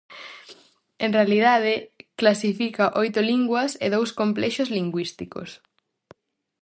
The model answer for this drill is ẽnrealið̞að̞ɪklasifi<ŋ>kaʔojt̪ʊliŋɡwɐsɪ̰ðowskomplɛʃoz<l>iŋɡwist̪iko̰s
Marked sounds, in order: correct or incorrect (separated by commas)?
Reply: incorrect, correct